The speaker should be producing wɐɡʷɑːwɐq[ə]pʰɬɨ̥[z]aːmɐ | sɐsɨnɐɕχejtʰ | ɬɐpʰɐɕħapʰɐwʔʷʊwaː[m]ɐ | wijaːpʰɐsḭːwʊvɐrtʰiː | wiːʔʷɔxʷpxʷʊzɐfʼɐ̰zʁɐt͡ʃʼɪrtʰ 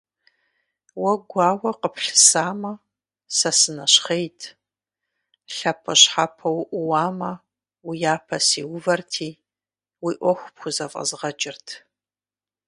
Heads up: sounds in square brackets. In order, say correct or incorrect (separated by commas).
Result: correct, incorrect, correct